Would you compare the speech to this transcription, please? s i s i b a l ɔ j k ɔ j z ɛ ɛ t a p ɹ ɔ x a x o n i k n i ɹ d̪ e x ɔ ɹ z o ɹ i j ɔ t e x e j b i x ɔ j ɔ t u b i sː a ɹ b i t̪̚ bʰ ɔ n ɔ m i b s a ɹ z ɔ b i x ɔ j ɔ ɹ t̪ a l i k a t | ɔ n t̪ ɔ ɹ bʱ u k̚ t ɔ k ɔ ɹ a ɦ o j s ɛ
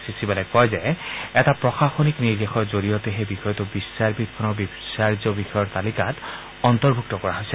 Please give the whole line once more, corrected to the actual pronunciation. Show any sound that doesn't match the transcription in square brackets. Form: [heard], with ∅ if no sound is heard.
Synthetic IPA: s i s i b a l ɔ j k ɔ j z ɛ ɛ t a p ɹ ɔ x a x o n i k n i ɹ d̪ e x ɔ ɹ z o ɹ i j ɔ t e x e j b i x ɔ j ɔ t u b i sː a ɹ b i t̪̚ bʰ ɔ n ɔ [b] i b s a ɹ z ɔ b i x ɔ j ɔ ɹ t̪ a l i k a t | ɔ n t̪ ɔ ɹ bʱ u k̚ t ɔ k ɔ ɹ a ɦ o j s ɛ